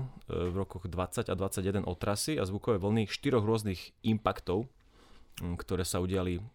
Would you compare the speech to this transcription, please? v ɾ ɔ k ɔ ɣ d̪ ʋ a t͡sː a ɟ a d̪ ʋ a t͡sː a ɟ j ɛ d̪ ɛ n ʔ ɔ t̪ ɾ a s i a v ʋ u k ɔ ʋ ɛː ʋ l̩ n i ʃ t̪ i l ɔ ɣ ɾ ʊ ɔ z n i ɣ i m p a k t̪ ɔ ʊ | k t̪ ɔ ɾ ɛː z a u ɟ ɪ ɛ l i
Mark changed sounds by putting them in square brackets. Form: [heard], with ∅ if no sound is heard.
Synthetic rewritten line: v ɾ ɔ k ɔ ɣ d̪ ʋ a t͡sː a ɟ a d̪ ʋ a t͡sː a ɟ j ɛ d̪ ɛ n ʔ ɔ t̪ ɾ a s i a [z] ʋ u k ɔ ʋ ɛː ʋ l̩ n i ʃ t̪ i [ɾ] ɔ ɣ ɾ ʊ ɔ z n i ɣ i m p a k t̪ ɔ ʊ | k t̪ ɔ ɾ ɛː [s] a u ɟ ɪ [a] l i